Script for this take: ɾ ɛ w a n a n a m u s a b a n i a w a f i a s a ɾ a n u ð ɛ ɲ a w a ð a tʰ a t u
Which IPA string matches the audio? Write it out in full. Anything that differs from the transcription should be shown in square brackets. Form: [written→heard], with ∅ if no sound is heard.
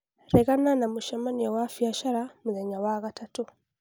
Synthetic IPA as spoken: ɾ ɛ [w→ɣ] a n a n a m u [s→ʃ] a [b→m] a n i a w a f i a [s→ʃ] a ɾ a [n→m] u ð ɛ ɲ a w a [ð→ɣ] a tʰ a t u